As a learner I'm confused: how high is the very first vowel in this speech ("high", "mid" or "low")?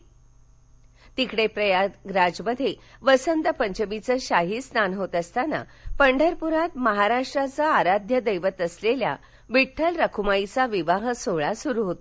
high